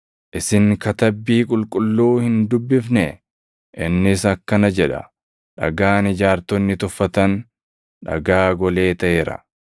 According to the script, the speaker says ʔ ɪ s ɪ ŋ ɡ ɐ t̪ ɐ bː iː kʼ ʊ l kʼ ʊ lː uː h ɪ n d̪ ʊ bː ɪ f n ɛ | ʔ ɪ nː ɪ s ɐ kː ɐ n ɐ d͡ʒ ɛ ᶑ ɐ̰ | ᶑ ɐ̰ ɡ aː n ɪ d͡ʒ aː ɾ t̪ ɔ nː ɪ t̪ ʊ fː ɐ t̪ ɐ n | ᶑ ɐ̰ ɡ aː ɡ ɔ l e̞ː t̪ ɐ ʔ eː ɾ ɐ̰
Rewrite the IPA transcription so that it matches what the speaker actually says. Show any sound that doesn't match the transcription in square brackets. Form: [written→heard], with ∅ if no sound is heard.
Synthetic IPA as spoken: ʔ ɪ s ɪ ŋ [ɡ→k] ɐ t̪ ɐ bː iː kʼ ʊ l kʼ ʊ lː uː h ɪ n d̪ ʊ bː ɪ f n ɛ | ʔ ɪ nː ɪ s ɐ kː ɐ n ɐ d͡ʒ ɛ ᶑ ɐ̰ | ᶑ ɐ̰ ɡ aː n ɪ d͡ʒ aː ɾ t̪ ɔ nː ɪ t̪ ʊ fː ɐ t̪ ɐ n | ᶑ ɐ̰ ɡ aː ɡ ɔ l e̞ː t̪ ɐ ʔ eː ɾ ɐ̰

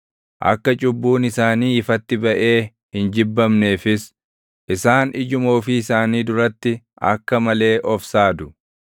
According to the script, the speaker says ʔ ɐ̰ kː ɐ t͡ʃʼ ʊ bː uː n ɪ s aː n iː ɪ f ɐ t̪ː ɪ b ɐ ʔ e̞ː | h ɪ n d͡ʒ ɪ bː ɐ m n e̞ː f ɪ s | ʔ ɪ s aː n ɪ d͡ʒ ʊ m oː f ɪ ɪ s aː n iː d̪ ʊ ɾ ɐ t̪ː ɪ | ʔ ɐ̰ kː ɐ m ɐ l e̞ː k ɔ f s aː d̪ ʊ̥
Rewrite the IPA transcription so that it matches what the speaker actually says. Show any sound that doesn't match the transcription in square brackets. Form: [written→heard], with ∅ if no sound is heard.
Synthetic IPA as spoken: ʔ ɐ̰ kː ɐ t͡ʃʼ ʊ bː uː n ɪ s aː n iː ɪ f ɐ t̪ː ɪ b ɐ ʔ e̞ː | h ɪ n d͡ʒ ɪ bː ɐ m n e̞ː f ɪ s | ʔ ɪ s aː n ɪ d͡ʒ ʊ m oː f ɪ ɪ s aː n iː d̪ ʊ ɾ ɐ t̪ː ɪ | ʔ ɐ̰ kː ɐ m ɐ l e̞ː [k→ʔ] ɔ f s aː d̪ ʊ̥

